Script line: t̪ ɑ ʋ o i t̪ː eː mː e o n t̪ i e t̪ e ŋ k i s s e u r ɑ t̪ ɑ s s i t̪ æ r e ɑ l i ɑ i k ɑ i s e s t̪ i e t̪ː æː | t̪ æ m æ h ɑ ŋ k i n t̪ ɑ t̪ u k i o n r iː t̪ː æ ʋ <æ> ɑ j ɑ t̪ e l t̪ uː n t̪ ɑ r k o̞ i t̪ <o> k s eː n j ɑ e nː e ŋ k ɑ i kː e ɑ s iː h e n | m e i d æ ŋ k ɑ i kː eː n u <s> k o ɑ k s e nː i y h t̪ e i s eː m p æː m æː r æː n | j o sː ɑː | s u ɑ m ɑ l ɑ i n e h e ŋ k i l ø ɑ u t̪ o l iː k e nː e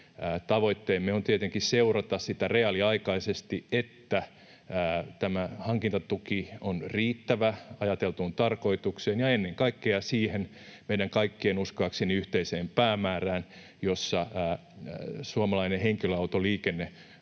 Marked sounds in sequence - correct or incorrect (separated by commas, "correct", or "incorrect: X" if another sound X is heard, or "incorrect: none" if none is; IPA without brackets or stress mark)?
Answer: correct, incorrect: u, correct